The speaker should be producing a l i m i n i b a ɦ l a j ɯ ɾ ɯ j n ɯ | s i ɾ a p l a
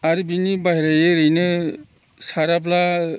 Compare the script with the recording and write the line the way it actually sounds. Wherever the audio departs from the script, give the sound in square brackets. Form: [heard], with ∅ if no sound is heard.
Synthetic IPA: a [ɾ] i [b] i n i b a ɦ [ɾ] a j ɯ ɾ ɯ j n ɯ | s [a] ɾ a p l a

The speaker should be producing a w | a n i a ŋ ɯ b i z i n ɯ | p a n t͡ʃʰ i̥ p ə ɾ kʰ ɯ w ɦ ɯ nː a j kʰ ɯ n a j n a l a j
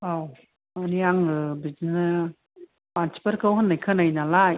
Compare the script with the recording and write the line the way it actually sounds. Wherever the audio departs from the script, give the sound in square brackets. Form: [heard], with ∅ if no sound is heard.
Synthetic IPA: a w | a n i a ŋ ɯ b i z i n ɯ | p a n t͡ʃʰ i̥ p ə ɾ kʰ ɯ w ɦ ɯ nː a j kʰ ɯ n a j n a l a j

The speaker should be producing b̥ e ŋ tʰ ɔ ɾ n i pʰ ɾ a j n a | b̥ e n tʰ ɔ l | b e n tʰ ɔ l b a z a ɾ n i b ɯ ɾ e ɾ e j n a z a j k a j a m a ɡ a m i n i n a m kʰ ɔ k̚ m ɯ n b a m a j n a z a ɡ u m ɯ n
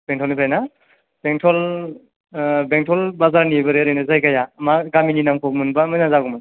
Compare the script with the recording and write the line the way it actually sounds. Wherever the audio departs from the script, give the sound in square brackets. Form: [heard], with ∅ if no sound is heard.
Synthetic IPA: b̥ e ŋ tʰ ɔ [l] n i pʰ ɾ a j n a | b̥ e [ŋ] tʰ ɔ l | b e [ŋ] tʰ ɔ l b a z a ɾ n i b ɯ ɾ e ɾ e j n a z a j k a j a m a ɡ a m i n i n a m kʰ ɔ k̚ m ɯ n b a m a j n a z a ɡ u m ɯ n

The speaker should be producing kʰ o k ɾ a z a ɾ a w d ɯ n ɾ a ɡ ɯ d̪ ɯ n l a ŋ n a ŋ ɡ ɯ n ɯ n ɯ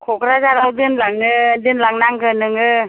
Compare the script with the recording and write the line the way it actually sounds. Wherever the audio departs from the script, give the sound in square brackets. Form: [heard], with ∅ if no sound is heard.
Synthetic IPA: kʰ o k ɾ a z a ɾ a w d ɯ n [l] a [ŋ] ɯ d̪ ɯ n l a ŋ n a ŋ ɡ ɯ n ɯ [ŋ] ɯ

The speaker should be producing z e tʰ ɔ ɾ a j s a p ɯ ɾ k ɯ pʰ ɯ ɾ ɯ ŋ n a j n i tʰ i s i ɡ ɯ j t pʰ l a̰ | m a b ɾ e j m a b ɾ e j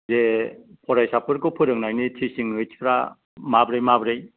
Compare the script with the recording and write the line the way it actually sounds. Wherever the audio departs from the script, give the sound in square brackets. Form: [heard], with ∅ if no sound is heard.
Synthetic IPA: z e [pʰ] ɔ ɾ a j s a p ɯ ɾ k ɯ pʰ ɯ ɾ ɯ ŋ n a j n i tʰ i s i [ŋ] ɯ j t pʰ [ɾ] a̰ | m a b ɾ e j m a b ɾ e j

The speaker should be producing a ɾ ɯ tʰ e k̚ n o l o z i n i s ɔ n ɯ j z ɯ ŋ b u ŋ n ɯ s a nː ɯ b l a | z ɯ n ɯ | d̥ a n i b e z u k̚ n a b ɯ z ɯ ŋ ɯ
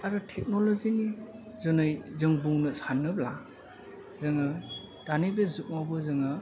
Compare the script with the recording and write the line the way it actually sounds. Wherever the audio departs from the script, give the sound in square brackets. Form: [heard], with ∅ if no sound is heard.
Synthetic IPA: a ɾ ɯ tʰ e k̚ n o l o z i n i [z] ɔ n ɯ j z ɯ ŋ b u ŋ n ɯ s a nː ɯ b l a | z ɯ [ŋ] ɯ | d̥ a n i b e z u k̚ [m] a b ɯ z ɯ ŋ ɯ

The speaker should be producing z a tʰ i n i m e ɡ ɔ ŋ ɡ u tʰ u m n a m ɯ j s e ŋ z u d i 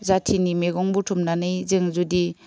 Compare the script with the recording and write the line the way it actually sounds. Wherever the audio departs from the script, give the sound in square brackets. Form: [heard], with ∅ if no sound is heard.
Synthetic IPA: z a tʰ i n i m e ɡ ɔ ŋ [b] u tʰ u m n a [n] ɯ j [z] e ŋ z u d i

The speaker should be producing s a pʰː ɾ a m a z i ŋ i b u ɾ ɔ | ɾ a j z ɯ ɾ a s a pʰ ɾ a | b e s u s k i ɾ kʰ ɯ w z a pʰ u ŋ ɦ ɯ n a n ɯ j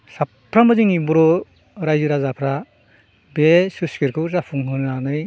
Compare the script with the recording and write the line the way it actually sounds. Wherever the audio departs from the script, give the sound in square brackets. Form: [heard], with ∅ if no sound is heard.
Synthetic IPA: s a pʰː ɾ a m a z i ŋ i b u ɾ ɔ | ɾ a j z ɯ ɾ a [z] a pʰ ɾ a | b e s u s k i ɾ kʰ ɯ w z a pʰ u ŋ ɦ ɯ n a n ɯ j

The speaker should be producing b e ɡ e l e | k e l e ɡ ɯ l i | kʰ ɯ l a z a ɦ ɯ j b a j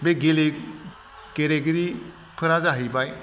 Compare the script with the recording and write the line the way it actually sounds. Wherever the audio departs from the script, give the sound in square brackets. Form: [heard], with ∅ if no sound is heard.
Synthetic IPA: b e ɡ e l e | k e [ɾ] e ɡ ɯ [ɾ] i | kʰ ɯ [ɾ] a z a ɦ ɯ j b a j

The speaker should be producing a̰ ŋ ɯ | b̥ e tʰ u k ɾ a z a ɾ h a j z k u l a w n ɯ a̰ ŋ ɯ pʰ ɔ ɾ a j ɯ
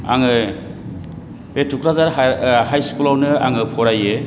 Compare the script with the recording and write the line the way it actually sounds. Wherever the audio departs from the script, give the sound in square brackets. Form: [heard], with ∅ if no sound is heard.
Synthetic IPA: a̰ ŋ ɯ | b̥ e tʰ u k ɾ a z a ɾ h a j [s] k u l a w n ɯ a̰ ŋ ɯ pʰ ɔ ɾ a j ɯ

